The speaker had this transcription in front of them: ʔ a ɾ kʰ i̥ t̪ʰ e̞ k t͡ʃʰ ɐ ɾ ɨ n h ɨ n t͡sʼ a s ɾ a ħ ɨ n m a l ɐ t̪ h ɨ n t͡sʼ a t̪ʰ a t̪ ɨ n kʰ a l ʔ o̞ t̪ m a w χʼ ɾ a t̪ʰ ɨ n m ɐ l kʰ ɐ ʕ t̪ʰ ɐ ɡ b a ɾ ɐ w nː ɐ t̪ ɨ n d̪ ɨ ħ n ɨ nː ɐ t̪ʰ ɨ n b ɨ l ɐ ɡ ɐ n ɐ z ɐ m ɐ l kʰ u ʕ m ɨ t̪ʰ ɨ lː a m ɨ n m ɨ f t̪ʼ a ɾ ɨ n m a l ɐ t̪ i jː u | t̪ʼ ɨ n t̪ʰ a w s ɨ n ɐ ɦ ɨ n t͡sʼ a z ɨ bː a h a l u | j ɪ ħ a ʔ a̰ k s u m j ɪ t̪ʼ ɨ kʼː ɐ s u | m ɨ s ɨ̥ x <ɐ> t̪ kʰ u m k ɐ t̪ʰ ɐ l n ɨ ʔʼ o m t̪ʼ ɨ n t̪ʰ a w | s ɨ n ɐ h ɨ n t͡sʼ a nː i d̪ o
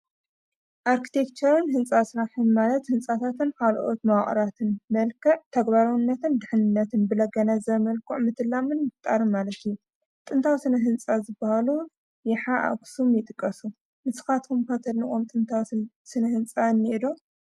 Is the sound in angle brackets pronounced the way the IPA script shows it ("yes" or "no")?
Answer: no